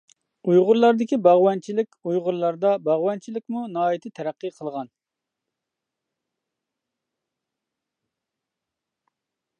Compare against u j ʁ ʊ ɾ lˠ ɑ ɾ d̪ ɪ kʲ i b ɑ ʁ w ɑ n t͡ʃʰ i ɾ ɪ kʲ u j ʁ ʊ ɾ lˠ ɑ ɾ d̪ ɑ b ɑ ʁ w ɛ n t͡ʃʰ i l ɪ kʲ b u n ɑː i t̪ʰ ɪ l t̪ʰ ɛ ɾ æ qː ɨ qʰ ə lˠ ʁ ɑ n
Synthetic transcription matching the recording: u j ʁ ʊ ɾ lˠ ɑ ɾ d̪ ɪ kʲ i b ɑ ʁ w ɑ n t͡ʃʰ i l ɪ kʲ u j ʁ ʊ ɾ lˠ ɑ ɾ d̪ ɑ b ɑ ʁ w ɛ n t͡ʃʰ i l ɪ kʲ m u n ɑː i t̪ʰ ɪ t̪ʰ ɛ ɾ æ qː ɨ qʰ ə lˠ ʁ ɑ n